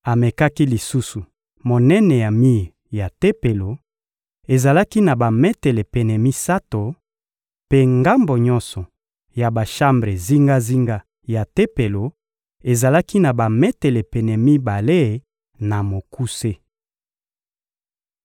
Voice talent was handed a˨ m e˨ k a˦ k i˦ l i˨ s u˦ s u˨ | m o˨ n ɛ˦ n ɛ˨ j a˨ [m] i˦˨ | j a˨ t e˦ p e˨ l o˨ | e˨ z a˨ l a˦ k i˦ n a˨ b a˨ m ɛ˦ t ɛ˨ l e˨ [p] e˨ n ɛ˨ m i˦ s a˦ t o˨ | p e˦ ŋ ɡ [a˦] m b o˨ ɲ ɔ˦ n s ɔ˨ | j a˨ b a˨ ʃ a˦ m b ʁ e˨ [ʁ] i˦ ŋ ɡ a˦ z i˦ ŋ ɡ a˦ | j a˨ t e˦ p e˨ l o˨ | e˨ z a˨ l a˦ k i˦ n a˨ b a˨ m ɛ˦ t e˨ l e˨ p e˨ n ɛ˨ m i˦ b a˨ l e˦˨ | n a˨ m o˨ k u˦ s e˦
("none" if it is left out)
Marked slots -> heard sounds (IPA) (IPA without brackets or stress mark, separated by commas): m, p, a˦, z